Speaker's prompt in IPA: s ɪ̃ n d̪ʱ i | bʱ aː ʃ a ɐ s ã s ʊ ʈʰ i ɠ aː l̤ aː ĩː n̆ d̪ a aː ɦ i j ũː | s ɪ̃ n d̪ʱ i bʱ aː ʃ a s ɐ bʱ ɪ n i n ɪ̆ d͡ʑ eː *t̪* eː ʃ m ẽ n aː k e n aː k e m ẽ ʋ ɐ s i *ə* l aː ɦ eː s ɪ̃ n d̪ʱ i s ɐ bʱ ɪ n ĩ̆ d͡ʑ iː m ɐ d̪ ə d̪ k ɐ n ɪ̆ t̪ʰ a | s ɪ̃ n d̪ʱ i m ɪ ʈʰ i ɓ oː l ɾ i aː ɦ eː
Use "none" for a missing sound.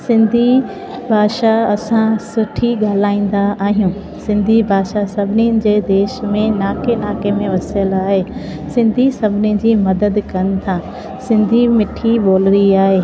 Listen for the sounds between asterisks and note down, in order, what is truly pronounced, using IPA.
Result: d̪, ə

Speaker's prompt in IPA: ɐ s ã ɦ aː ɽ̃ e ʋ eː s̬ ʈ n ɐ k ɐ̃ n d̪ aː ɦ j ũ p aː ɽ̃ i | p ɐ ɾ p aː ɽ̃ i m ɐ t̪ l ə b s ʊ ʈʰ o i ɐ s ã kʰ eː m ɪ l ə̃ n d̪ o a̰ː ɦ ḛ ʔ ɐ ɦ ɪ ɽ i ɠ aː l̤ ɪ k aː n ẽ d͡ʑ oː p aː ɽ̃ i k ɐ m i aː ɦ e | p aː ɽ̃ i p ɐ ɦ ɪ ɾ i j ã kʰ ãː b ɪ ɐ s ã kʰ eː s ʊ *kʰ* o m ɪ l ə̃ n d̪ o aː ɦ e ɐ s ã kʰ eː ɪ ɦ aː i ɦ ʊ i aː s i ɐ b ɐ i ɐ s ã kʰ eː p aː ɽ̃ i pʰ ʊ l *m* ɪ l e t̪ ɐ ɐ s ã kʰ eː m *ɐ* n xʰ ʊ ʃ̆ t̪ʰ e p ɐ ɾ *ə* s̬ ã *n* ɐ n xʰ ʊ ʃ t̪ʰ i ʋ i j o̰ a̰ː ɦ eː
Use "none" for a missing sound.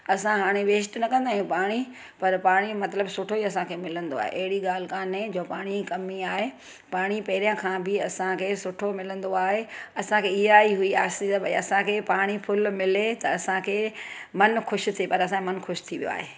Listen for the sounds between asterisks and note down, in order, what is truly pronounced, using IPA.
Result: ʈʰ, m, ɐ, ɐ, m

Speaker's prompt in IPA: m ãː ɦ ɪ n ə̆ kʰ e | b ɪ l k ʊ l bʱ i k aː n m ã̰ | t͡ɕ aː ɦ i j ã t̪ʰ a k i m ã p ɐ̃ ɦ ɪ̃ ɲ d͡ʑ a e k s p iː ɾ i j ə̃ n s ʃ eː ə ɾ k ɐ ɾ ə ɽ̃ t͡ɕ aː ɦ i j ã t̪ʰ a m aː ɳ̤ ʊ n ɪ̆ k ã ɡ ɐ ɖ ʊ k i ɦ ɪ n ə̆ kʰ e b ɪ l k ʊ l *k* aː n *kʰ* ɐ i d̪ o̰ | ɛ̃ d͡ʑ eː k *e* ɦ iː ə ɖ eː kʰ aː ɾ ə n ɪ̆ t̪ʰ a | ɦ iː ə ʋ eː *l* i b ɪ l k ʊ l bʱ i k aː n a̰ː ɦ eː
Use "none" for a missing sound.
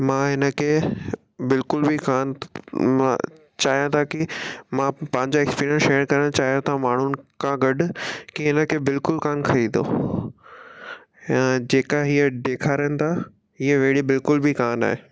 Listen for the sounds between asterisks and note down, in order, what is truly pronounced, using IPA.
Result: k, kʰ, a, ɽ

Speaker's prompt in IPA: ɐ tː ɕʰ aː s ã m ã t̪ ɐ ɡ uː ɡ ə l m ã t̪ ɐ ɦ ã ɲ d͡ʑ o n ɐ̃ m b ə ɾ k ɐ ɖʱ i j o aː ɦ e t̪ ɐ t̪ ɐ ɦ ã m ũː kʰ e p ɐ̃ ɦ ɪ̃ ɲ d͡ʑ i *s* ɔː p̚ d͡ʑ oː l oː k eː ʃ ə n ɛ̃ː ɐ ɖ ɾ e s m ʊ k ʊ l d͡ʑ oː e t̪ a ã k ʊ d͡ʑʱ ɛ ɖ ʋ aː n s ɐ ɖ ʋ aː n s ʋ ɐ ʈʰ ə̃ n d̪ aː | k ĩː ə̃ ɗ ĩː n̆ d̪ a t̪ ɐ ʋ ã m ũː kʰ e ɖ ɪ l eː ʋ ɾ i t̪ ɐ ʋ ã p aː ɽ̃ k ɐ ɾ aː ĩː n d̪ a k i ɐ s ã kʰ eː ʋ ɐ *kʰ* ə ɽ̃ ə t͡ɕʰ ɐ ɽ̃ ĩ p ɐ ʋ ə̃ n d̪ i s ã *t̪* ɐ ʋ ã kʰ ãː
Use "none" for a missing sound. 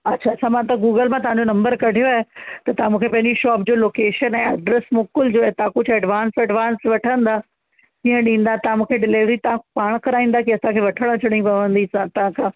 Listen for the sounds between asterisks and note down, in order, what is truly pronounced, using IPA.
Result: ʃ, ʈʰ, t̪

